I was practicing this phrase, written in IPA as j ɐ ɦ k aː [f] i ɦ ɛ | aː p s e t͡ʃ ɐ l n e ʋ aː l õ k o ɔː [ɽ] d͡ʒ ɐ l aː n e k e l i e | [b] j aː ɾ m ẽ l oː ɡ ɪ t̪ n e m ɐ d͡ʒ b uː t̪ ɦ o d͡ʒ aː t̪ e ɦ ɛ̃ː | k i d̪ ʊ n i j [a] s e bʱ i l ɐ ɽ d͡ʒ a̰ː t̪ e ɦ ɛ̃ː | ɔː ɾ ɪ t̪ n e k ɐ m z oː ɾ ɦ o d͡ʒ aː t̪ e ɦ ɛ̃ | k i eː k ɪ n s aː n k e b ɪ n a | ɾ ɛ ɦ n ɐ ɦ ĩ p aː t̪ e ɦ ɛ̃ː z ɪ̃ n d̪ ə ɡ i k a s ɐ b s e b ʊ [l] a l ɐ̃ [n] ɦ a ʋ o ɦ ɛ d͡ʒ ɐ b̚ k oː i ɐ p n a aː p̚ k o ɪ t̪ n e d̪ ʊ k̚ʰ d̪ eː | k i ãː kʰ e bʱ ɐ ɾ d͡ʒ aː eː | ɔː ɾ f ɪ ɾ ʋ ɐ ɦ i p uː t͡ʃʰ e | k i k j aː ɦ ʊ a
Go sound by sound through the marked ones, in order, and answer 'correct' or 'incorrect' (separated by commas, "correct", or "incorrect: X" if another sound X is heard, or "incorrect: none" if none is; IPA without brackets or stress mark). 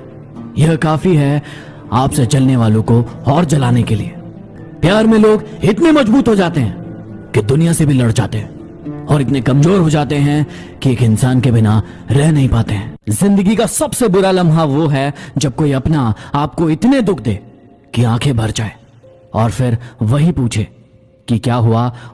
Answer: correct, incorrect: ɾ, incorrect: p, correct, incorrect: ɾ, incorrect: m